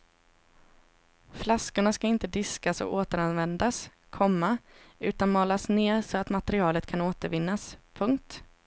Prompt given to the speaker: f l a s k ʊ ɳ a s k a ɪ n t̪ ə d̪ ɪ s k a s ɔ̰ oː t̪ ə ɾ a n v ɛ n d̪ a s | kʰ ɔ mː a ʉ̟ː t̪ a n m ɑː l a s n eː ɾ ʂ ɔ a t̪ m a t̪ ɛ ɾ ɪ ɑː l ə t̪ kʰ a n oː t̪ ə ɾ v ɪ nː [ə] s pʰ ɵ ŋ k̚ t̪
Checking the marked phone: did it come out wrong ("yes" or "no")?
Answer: yes